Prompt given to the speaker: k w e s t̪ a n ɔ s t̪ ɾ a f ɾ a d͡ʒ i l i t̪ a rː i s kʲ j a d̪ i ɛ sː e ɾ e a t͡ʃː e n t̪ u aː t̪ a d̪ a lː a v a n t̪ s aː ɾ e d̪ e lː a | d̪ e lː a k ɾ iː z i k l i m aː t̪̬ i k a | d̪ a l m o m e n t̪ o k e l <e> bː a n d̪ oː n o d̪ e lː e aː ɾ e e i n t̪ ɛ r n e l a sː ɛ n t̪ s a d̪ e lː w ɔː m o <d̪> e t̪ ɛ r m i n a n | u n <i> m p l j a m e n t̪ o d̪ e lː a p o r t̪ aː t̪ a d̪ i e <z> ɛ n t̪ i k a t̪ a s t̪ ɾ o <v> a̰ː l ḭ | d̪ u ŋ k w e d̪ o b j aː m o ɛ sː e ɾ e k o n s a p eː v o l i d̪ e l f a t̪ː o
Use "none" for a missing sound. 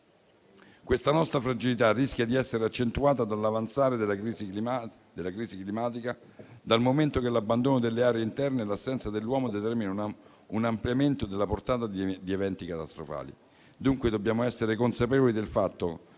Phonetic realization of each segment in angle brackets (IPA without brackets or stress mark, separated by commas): a, d̪, a, v, f